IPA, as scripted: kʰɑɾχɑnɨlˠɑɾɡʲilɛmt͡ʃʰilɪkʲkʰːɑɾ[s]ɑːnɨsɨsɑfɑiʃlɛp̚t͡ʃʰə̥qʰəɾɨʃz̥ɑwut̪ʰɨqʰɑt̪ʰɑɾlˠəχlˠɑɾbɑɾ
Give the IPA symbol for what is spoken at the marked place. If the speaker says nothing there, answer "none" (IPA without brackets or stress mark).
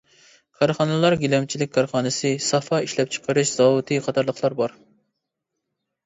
χ